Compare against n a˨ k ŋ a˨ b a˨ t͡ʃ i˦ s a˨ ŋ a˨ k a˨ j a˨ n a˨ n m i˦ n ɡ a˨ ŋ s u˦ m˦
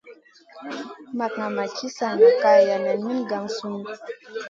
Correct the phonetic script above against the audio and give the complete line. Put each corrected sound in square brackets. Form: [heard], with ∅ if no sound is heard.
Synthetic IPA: [m] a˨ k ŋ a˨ [m] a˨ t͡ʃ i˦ s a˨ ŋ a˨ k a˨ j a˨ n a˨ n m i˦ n ɡ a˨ ŋ s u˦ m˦